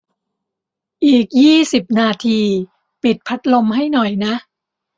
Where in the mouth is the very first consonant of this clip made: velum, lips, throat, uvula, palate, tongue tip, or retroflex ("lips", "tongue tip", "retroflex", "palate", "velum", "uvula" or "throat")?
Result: throat